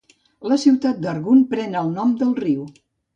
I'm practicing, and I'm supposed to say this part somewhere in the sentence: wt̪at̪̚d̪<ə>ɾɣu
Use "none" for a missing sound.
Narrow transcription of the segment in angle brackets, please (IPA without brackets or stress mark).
ə